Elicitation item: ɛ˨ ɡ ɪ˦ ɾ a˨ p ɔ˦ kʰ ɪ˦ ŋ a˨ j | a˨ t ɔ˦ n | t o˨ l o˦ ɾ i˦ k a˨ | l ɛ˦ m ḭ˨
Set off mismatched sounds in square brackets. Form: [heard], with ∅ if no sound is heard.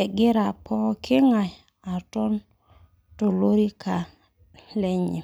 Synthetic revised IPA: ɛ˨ ɡ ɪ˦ ɾ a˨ p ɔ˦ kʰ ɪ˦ ŋ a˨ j | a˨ t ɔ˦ n | t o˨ l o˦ ɾ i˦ k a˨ | l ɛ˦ [ɲ] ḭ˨

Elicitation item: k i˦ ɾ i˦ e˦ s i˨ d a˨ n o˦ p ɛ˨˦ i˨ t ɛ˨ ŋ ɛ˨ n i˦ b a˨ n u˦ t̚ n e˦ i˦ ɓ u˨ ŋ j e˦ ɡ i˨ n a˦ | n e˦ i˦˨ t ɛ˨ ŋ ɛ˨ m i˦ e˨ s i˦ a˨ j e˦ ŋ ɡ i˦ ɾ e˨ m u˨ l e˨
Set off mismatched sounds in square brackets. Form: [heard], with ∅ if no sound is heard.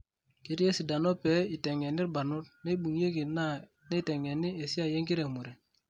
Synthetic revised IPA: k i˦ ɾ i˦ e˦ s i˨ d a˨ n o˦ p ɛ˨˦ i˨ t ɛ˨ ŋ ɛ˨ n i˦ b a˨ n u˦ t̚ n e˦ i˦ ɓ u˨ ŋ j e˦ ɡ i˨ n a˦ | n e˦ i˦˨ t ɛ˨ ŋ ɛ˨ [n] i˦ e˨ s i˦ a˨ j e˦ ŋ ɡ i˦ ɾ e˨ m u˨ [ɾ] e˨

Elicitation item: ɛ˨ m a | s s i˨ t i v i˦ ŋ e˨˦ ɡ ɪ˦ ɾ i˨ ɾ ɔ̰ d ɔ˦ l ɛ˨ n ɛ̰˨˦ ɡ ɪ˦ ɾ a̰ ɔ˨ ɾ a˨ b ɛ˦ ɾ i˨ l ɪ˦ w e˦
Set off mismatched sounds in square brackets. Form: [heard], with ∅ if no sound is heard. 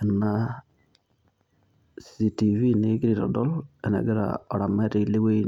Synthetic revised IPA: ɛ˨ [n] a | s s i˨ t i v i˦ [n] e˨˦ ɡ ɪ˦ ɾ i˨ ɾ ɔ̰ d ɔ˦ l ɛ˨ n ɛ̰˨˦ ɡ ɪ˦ ɾ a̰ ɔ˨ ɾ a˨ [m] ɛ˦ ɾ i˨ l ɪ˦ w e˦

